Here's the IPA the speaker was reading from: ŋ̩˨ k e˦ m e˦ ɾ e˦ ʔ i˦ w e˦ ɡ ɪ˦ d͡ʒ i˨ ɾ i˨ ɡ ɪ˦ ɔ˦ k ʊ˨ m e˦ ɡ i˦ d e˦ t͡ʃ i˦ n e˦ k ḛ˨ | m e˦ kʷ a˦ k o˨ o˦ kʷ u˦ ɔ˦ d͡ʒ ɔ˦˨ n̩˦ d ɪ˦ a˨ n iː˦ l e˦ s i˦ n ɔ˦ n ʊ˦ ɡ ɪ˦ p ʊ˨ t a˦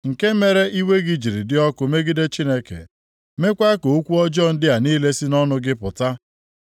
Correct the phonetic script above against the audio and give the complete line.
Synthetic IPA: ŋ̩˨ k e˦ m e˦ ɾ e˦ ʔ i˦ w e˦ ɡ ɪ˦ d͡ʒ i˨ ɾ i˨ d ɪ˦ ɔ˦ k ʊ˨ m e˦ ɡ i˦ d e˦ t͡ʃ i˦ n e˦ k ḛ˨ | m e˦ kʷ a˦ k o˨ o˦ kʷ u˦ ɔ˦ d͡ʒ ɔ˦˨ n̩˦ d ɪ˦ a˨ n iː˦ l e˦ s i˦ n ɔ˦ n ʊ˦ ɡ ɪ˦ p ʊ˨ t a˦

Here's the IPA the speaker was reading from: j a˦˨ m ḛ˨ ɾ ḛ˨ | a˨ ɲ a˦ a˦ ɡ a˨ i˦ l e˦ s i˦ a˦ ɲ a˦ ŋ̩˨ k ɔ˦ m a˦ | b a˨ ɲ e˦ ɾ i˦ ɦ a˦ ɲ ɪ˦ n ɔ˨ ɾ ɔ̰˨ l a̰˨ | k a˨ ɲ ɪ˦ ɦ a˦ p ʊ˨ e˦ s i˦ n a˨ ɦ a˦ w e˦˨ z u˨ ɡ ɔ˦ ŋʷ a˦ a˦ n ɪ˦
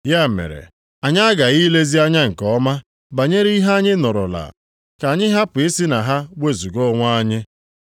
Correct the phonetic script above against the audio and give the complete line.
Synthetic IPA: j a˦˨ m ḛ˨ ɾ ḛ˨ | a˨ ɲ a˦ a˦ ɡ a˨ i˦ l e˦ z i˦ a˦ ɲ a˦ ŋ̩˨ k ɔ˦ m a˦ | b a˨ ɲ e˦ ɾ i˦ ɦ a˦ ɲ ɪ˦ n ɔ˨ ɾ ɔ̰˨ l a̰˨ | k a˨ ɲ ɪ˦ ɦ a˦ p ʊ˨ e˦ s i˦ n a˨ ɦ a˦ w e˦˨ z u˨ ɡ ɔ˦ ŋʷ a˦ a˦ ɲ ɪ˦

